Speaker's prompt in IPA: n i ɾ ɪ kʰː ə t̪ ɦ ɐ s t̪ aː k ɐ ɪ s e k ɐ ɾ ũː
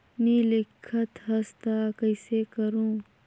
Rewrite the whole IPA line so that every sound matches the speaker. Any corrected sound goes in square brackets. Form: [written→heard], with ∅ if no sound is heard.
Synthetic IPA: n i [ɾ→l] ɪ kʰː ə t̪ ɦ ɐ s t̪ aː k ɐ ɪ s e k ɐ ɾ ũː